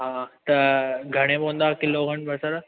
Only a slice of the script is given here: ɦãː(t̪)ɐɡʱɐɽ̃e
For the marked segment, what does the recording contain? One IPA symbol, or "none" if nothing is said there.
t̪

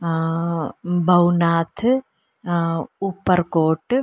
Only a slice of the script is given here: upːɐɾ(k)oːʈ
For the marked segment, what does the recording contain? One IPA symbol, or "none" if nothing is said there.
k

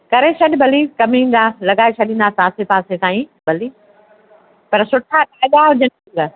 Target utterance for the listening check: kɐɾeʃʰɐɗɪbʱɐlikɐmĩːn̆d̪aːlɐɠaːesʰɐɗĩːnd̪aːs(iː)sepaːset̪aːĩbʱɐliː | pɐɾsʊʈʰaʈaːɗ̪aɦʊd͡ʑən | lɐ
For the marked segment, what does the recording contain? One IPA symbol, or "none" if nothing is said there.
aː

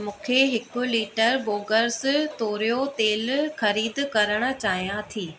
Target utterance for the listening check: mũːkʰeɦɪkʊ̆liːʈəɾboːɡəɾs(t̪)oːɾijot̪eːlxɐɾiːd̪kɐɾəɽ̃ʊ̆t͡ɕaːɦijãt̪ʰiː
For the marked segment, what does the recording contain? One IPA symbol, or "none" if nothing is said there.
t̪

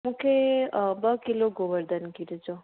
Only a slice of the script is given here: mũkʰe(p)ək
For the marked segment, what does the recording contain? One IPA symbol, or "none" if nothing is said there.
b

